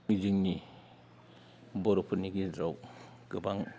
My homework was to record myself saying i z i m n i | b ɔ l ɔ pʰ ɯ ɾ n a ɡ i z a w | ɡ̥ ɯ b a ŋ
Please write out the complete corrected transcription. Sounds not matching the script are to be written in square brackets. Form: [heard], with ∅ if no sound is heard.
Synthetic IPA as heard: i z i [ŋ] n i | b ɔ [ɾ] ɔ pʰ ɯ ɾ n [i] ɡ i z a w | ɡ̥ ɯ b a ŋ